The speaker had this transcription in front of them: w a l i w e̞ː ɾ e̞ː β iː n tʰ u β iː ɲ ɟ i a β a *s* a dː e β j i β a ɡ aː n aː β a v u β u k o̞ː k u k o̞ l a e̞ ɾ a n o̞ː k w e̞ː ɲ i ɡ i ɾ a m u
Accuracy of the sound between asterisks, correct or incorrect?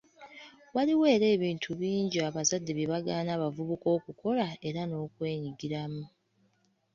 incorrect